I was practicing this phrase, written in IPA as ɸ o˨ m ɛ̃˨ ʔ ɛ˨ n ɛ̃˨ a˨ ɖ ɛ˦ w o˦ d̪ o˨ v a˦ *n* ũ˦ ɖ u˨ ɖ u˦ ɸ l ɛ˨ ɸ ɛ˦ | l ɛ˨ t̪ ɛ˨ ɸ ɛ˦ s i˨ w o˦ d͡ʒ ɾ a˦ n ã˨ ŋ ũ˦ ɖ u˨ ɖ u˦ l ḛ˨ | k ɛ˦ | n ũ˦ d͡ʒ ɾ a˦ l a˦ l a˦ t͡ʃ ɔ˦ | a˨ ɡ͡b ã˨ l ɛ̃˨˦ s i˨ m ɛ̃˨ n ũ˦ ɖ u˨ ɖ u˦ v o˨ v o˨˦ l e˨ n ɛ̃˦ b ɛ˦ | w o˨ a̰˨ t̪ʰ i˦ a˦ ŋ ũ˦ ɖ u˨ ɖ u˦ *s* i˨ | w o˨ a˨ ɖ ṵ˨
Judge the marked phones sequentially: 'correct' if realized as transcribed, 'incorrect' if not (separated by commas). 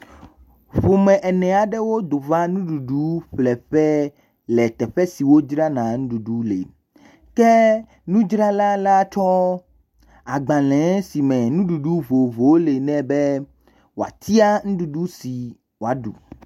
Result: correct, correct